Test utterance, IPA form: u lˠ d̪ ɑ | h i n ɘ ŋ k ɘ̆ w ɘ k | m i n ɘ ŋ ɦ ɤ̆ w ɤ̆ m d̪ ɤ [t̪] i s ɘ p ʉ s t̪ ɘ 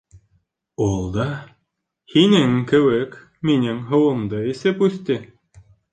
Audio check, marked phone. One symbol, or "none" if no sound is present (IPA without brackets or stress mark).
none